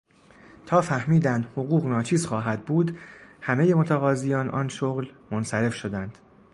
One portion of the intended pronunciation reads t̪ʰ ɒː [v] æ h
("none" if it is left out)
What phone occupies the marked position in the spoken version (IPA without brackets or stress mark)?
f